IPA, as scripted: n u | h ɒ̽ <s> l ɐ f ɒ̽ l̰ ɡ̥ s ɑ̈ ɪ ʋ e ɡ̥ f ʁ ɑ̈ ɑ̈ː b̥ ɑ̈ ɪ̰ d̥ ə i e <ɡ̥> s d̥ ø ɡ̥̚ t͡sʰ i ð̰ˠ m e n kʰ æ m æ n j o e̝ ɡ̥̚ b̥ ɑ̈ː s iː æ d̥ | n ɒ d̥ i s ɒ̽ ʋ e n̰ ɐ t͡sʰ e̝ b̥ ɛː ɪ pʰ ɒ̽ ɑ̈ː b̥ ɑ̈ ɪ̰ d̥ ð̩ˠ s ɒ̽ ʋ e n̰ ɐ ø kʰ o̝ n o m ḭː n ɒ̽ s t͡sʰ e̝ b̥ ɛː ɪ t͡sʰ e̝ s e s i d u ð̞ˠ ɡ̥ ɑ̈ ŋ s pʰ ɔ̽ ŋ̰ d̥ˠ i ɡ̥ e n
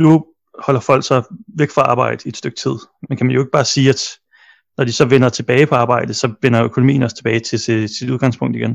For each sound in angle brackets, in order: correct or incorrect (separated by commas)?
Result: incorrect, incorrect